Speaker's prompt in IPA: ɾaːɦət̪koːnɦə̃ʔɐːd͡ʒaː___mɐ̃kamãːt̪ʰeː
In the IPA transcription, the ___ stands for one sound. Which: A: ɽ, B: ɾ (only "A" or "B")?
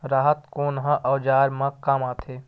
B